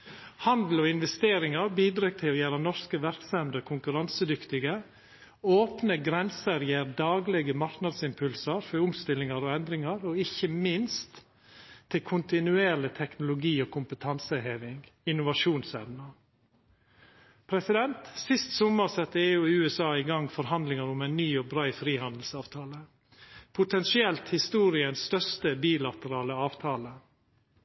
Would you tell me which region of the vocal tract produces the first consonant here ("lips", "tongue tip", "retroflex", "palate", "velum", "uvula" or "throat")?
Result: throat